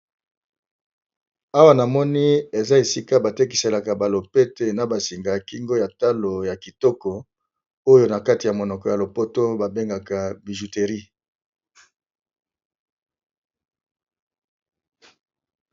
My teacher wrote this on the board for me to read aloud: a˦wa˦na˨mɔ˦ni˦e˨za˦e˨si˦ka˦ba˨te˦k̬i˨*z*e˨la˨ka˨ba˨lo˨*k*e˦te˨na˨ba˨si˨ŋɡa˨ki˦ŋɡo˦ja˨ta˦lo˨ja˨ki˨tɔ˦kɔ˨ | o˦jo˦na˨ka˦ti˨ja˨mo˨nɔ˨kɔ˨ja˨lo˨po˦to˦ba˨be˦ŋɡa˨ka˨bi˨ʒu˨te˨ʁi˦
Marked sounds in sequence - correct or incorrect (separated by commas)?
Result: incorrect, incorrect